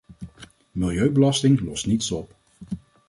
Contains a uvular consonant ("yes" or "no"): no